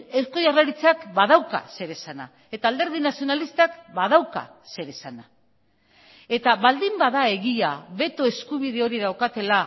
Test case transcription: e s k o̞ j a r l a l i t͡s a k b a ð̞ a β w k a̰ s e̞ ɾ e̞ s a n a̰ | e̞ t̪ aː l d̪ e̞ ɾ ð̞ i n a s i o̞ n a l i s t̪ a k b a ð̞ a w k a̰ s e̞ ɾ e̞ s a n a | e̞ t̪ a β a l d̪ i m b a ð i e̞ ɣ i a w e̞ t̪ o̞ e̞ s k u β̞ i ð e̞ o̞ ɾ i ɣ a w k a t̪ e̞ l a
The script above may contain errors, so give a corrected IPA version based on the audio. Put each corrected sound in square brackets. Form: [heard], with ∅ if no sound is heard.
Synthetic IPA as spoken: e s k o̞ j a r l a [ɾ] i t͡s a k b a ð̞ a [∅] w k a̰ s e̞ ɾ e̞ s a n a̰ | e̞ t̪ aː l d̪ e̞ ɾ ð̞ i n a s i o̞ n a l i s t̪ a k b a ð̞ a w k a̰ s e̞ ɾ e̞ s a n a | e̞ t̪ a β a l d̪ i m b a ð [a] e̞ ɣ i a [β] e̞ t̪ o̞ e̞ s k u β̞ i ð e̞ o̞ ɾ i [ð] a w k a t̪ e̞ l a